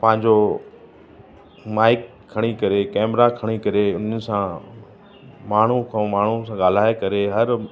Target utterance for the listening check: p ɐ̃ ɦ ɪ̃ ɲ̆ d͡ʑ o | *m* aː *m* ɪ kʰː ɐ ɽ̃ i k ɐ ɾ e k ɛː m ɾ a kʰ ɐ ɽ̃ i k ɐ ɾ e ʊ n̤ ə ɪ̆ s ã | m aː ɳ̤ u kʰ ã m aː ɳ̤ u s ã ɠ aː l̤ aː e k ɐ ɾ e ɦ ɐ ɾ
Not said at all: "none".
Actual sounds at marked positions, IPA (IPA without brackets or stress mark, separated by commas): m, none